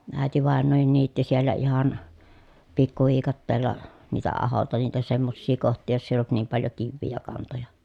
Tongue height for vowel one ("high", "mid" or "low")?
low